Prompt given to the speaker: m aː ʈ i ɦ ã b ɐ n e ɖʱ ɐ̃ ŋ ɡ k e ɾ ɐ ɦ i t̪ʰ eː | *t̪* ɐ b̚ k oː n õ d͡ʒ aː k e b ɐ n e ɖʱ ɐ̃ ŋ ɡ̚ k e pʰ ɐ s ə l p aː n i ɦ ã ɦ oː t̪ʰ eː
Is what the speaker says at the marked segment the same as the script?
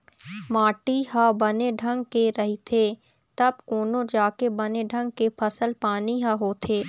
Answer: yes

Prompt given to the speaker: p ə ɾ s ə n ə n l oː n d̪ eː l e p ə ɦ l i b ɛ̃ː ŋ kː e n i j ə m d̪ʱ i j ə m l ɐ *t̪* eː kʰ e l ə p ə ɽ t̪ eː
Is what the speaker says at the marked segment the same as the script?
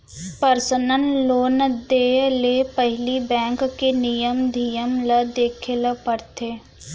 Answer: no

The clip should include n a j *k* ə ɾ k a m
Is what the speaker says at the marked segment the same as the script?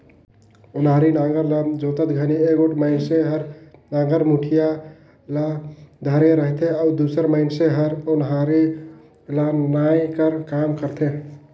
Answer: yes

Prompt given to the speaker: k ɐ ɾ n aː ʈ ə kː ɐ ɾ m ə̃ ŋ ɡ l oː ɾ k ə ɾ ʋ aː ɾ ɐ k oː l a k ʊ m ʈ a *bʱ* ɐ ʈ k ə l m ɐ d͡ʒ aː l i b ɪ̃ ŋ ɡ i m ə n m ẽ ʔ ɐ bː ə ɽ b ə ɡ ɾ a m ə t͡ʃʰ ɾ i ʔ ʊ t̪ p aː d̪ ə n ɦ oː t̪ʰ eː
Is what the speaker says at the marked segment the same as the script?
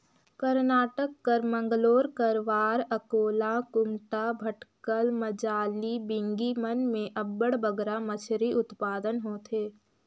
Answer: yes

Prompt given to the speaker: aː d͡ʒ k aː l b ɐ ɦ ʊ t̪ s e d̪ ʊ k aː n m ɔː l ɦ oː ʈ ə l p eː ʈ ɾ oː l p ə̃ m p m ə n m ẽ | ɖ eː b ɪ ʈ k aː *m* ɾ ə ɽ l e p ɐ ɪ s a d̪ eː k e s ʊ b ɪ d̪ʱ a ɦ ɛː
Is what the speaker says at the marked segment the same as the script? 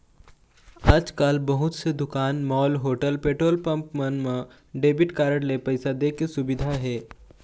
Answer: no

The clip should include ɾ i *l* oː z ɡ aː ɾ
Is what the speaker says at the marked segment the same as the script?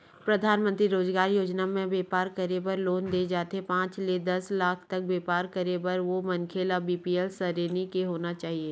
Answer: no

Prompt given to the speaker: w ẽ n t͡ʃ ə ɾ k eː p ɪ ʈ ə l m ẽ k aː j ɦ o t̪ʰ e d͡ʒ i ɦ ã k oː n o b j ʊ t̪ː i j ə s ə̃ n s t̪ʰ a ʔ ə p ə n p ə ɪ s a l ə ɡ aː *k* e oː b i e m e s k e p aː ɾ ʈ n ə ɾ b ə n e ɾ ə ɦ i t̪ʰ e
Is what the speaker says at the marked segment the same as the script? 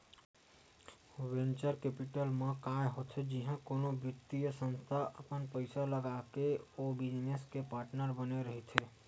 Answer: yes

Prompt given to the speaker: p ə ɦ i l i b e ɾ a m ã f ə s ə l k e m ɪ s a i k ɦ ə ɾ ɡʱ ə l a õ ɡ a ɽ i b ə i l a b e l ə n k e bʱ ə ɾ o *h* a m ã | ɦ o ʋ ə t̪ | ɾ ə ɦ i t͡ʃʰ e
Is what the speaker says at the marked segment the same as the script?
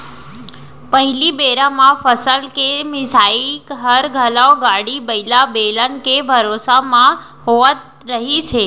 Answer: no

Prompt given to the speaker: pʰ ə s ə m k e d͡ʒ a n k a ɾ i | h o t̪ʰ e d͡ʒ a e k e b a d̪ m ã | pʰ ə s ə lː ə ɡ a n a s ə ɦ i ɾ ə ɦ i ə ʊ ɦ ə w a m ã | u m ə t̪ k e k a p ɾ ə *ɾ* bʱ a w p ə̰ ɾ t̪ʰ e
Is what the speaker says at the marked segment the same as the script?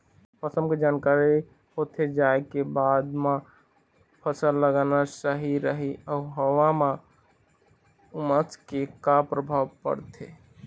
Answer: no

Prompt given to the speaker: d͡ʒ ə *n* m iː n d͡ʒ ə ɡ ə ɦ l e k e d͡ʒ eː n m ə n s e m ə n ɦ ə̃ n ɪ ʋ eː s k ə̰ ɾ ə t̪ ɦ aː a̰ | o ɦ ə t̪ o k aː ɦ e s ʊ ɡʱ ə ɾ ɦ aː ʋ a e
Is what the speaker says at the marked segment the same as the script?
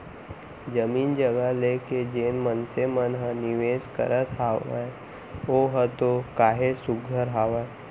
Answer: no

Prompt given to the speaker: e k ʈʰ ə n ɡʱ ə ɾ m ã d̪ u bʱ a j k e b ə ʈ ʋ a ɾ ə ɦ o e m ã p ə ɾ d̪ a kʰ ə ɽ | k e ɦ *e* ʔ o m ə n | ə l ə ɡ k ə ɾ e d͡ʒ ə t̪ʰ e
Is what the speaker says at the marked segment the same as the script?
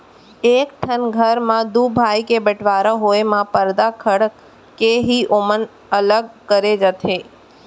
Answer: no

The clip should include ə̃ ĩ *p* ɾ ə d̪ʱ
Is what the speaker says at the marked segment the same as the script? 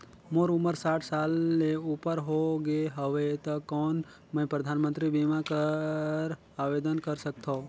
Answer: yes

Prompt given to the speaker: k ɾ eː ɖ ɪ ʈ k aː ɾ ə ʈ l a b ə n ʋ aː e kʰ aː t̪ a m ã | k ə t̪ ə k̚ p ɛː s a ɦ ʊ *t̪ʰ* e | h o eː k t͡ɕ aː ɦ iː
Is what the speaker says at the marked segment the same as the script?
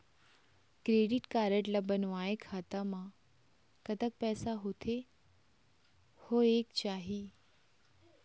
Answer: yes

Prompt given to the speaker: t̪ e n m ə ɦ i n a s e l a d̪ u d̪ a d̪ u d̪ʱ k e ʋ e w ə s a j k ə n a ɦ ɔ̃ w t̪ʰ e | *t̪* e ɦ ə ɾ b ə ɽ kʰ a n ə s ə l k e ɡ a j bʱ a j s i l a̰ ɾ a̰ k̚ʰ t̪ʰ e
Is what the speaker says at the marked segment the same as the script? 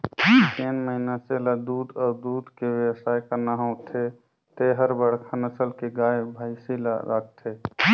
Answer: yes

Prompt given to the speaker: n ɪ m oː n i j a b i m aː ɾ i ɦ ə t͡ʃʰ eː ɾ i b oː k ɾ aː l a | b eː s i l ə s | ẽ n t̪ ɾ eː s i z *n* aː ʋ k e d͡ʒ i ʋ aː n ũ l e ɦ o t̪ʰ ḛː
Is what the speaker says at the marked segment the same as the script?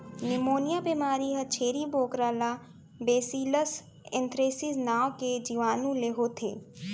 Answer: yes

